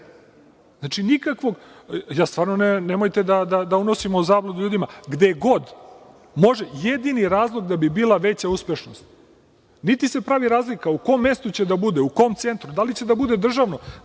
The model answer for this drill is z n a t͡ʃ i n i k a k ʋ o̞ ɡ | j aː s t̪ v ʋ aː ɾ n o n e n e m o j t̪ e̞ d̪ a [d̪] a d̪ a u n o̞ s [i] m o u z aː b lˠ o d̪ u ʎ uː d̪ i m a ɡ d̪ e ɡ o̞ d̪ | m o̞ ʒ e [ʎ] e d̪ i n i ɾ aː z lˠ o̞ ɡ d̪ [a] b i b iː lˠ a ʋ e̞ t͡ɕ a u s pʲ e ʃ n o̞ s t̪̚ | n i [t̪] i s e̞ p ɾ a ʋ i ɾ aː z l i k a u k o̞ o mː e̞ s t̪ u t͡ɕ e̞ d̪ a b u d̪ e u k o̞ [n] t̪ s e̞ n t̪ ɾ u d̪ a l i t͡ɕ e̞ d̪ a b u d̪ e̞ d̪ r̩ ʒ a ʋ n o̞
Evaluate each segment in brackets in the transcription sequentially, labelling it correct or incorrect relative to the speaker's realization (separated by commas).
correct, correct, incorrect, correct, correct, incorrect